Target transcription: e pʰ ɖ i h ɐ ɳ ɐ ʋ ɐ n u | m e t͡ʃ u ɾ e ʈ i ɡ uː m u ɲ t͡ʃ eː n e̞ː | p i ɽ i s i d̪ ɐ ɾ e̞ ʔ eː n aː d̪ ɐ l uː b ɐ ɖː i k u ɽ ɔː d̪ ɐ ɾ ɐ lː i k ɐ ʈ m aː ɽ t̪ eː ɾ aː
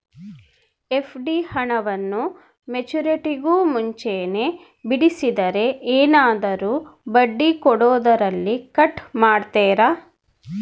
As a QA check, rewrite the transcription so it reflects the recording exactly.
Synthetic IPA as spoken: e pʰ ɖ i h ɐ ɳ ɐ ʋ ɐ nː u | m e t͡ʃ u ɾ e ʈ i ɡ uː m u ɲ t͡ʃ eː n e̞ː | b i ɽ i s i d̪ ɐ ɾ e̞ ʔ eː n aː d̪ ɐ ɾ uː b ɐ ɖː i k ɔ ɽ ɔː d̪ ɐ ɾ ɐ lː i k ɐ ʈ m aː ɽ t̪ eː ɾ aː